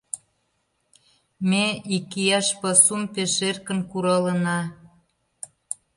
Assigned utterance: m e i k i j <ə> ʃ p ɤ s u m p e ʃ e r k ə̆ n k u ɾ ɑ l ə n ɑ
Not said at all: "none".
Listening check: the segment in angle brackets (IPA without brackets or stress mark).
ɑ